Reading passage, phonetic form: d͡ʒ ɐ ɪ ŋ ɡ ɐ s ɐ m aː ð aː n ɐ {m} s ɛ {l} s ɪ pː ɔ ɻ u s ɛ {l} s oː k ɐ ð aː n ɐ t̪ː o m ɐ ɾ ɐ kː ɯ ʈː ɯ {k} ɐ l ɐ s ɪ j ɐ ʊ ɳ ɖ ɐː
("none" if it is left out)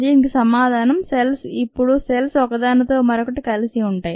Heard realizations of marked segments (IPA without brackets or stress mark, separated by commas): m, l, l, k